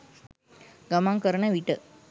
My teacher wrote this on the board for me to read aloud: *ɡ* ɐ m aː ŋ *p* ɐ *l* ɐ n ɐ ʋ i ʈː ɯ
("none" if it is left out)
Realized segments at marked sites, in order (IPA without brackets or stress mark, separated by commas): ɡ, k, ɾ